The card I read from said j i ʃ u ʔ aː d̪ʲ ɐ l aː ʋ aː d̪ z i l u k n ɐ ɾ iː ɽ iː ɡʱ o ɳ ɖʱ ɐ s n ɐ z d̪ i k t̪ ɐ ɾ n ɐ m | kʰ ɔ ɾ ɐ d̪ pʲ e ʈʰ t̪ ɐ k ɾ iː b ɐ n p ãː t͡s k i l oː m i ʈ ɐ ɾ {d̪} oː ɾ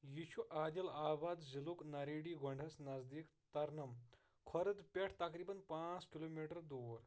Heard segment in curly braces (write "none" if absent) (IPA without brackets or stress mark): d̪